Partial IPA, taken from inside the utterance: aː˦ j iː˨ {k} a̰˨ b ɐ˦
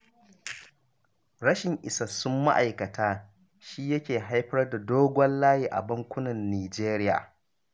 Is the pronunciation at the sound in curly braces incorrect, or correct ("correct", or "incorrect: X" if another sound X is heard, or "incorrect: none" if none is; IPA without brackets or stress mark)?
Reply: incorrect: ʔ